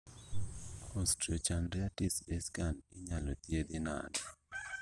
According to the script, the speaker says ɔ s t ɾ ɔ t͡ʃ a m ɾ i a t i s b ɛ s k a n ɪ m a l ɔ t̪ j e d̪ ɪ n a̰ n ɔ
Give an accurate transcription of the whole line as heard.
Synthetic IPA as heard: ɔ s t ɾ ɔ t͡ʃ a n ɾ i a t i s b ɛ s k a n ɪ ɲ a l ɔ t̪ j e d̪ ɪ n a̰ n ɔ